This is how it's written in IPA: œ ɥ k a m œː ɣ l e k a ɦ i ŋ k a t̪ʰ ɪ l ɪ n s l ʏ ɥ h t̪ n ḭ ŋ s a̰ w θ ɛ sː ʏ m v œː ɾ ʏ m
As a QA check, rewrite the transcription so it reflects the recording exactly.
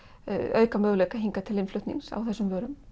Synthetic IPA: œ ɥ k a m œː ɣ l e k a ɦ i ŋ k a t̪ʰ ɪ l ɪ n f l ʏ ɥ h t̪ n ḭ ŋ s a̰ w θ ɛ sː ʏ m v œː ɾ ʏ m